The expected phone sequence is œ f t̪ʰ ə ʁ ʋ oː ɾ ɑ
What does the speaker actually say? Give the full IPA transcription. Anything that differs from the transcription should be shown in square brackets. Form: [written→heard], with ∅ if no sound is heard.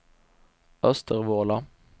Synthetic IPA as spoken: œ [f→s] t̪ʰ ə ʁ ʋ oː [ɾ→l] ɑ